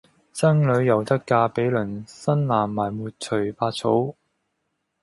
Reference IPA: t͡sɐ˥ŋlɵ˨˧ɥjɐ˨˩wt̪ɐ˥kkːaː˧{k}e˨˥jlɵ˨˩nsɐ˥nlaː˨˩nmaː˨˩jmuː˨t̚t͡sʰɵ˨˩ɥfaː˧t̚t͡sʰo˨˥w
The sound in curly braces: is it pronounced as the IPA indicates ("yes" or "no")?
no